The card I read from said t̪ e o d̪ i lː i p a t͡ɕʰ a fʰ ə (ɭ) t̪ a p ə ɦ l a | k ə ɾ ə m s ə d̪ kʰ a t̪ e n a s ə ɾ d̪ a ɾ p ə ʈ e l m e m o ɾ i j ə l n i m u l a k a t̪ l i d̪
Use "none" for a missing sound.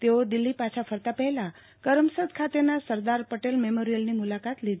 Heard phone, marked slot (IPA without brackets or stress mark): ɾ